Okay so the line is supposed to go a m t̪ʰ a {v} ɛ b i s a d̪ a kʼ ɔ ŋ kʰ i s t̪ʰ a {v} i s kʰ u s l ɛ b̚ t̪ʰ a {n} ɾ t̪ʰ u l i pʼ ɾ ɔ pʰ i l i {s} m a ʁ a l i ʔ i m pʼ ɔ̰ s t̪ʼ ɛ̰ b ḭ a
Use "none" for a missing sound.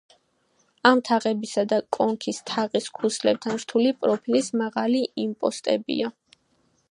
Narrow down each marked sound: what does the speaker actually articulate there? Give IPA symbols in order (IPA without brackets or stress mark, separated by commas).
ʁ, ʁ, n, s